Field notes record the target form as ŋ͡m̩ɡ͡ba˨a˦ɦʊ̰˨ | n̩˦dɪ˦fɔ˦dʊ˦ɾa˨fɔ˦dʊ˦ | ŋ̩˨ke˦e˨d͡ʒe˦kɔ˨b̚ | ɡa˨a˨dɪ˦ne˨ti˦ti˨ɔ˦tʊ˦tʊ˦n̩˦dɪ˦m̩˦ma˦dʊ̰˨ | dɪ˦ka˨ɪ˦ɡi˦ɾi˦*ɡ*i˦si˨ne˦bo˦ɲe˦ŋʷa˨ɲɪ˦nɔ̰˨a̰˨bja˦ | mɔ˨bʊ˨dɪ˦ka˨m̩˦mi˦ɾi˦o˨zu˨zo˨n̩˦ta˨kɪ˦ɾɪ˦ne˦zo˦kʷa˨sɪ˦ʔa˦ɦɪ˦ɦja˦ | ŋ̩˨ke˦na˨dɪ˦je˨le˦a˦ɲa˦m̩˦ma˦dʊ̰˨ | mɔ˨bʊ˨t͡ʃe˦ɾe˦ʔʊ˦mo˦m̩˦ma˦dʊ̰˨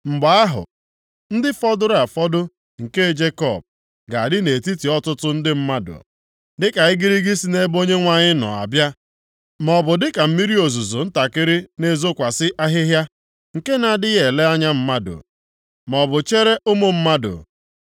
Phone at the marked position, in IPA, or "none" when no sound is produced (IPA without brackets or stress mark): ɡ